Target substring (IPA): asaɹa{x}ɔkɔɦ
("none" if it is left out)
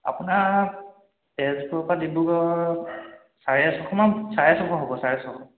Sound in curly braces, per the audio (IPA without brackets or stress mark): s